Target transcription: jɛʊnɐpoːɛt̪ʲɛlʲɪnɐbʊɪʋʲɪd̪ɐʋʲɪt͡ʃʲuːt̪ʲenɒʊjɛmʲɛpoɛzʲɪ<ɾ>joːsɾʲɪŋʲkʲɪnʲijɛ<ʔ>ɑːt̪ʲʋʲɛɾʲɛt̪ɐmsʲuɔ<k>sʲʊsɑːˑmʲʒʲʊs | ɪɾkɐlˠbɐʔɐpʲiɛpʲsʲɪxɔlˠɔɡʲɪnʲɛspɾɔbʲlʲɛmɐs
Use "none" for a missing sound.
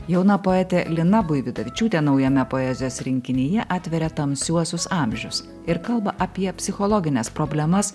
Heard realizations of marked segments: none, ʔ, none

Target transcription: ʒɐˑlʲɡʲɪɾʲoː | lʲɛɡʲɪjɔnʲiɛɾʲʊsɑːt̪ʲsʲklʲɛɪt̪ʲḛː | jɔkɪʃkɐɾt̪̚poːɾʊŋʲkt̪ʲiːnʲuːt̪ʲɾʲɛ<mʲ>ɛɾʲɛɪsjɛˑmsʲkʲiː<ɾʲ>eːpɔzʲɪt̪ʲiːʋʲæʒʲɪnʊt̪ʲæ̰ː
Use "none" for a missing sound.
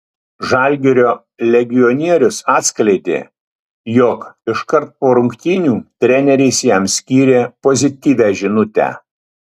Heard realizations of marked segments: nʲ, ɾʲ

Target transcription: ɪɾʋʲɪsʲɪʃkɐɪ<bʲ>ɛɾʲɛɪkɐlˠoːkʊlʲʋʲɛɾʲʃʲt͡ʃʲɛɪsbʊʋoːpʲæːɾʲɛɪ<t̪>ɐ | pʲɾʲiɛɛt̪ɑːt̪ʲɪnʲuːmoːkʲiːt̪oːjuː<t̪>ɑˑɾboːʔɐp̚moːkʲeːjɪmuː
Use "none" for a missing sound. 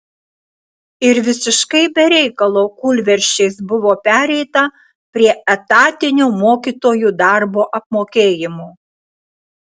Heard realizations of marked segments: bʲ, t̪, d̪

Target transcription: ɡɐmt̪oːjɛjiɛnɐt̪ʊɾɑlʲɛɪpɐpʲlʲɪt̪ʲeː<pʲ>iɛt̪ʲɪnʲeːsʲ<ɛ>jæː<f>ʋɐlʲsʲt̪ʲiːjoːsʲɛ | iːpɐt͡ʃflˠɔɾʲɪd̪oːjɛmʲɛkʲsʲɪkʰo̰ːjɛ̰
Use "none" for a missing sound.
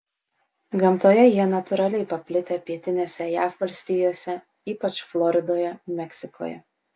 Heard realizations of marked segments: pʲ, ɛ, f

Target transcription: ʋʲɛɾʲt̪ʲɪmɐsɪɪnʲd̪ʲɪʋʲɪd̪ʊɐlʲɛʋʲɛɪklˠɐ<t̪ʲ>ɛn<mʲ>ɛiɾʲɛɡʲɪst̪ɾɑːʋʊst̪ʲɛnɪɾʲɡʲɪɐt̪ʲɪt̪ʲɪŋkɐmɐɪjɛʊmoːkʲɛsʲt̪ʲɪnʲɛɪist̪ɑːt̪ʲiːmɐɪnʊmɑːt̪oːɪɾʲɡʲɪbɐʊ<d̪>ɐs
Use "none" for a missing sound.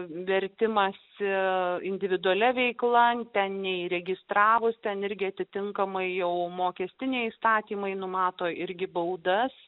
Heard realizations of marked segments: t̪ʲ, nʲ, d̪

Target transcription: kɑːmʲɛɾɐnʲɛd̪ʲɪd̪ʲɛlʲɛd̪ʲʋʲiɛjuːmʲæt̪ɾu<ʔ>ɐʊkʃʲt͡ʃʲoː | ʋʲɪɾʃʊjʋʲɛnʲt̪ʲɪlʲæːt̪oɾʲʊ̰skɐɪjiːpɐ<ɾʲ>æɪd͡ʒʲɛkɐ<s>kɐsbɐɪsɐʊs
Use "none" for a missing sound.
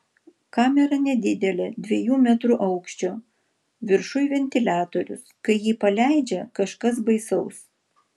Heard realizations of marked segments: ʔ, lʲ, ʃ

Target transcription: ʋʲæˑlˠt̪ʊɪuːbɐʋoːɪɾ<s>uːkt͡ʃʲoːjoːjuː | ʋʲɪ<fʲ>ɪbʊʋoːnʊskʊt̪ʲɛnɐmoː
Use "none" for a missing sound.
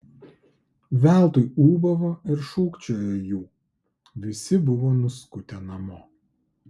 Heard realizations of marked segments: ʃ, sʲ

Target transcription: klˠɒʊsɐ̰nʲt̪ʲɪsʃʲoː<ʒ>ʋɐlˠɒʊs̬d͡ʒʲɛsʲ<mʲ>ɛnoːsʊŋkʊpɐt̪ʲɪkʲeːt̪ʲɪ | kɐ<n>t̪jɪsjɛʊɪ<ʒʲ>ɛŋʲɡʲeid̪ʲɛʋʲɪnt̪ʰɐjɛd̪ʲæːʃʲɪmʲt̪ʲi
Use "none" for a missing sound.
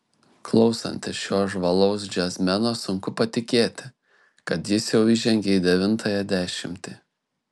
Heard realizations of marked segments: ʒ, mʲ, none, ʒʲ

